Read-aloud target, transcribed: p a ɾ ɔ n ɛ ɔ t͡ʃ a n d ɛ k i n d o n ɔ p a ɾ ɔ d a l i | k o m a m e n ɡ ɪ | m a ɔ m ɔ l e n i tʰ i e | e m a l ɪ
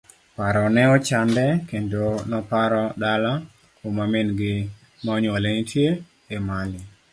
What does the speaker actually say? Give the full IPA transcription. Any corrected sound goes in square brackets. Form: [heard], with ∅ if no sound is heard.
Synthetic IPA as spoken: p a ɾ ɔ n ɛ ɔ t͡ʃ a n d ɛ k [e] n d o n ɔ p a ɾ ɔ d a l [a] | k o m a m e n ɡ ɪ | m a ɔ [ɲ] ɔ l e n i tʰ [j] e | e m a l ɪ